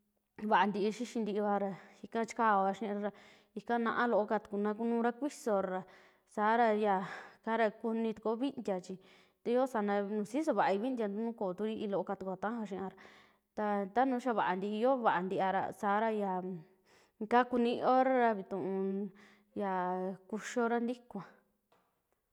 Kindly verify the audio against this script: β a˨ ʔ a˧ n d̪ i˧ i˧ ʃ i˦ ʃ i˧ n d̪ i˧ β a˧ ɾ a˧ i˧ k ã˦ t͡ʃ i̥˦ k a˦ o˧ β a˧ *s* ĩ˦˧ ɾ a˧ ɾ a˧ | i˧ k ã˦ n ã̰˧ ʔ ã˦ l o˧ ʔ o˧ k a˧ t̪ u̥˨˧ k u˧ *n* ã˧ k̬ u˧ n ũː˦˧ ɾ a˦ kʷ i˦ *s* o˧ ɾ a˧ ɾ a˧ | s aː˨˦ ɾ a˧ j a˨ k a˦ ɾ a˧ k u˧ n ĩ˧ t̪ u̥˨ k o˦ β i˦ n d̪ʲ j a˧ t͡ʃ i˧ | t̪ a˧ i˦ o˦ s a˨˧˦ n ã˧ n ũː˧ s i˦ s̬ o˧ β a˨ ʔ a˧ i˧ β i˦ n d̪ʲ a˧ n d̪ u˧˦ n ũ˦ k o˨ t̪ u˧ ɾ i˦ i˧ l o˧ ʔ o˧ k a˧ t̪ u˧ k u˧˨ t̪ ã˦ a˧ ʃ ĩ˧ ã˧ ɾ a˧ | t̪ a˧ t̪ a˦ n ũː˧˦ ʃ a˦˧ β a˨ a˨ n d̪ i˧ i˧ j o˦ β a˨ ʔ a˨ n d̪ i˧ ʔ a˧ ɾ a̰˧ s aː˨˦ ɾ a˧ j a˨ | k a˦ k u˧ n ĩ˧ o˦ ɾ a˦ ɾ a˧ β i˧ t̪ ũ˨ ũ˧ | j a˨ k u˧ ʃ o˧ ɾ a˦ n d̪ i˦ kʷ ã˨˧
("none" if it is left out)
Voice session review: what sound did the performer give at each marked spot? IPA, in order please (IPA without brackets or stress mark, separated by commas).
ʃ, n, s